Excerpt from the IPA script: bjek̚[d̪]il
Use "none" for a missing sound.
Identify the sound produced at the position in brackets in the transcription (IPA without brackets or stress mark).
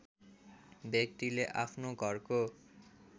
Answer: t̪